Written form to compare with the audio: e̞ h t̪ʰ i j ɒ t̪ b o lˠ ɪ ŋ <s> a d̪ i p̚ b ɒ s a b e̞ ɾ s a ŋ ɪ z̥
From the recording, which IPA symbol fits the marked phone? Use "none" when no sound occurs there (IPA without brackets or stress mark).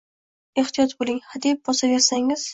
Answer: h